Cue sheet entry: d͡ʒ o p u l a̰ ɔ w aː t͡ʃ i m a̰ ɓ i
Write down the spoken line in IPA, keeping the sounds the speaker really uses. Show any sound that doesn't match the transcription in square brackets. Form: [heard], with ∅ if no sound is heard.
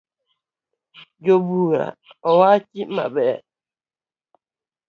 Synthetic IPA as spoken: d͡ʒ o [b] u [ɾ] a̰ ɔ w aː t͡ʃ i m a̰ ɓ [ɛ]